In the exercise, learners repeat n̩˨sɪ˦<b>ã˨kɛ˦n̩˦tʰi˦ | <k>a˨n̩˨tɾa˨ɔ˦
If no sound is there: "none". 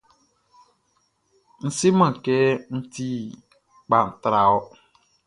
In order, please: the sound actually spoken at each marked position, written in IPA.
m, k͡p

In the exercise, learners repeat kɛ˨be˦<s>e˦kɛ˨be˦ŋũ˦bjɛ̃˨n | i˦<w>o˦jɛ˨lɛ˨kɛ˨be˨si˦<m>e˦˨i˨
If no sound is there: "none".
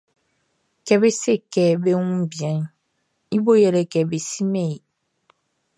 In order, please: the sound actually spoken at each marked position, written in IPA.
s, b, m

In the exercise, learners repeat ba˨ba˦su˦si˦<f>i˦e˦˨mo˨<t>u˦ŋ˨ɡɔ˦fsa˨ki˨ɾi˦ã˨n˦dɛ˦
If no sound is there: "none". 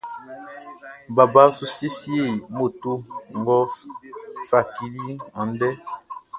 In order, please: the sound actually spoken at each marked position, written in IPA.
s, t

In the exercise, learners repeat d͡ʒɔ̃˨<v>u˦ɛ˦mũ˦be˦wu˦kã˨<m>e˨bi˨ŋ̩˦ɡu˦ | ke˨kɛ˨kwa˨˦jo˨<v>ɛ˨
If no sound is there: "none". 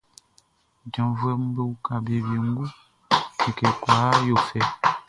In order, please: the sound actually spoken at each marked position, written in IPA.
v, b, f

